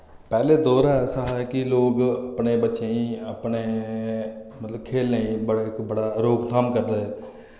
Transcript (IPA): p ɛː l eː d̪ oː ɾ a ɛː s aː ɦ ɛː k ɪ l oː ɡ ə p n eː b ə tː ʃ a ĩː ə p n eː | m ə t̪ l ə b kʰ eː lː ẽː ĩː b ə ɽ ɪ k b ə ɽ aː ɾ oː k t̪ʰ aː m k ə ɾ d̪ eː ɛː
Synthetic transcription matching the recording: p ɛː l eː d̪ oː ɾ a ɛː s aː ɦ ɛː k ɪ l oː ɡ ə p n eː b ə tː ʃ e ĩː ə p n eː | m ə t̪ l ə b kʰ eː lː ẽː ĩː b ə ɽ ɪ k b ə ɽ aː ɾ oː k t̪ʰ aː m k ə ɾ d̪ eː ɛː